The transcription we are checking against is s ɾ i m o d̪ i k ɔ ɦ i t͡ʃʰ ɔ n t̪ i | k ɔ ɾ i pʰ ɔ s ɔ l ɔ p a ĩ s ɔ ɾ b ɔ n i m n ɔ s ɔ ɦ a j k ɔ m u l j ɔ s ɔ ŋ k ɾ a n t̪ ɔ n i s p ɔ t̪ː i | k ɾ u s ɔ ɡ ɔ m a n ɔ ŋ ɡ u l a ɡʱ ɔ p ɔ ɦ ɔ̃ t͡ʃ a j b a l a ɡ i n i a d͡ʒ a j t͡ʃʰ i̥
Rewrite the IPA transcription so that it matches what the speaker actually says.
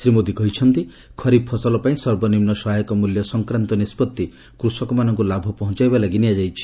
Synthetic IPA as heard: s ɾ i m o d̪ i k ɔ ɦ i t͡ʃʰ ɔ n t̪ i | kʰ ɔ ɾ i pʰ ɔ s ɔ l ɔ p a ĩ s ɔ ɾ b ɔ n i m n ɔ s ɔ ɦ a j k ɔ m u l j ɔ s ɔ ŋ k ɾ a n t̪ ɔ n i s p ɔ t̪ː i | k ɾ u s ɔ k ɔ m a n ɔ ŋ k u l a bʱ ɔ p ɔ ɦ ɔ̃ t͡ʃ a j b a l a ɡ i n i a d͡ʒ a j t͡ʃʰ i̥